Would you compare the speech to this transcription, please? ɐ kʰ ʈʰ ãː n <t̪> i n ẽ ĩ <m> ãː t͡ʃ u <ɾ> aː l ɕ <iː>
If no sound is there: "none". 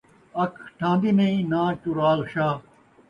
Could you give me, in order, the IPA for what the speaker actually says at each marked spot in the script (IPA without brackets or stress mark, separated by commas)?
d̪, n, ɾ, aː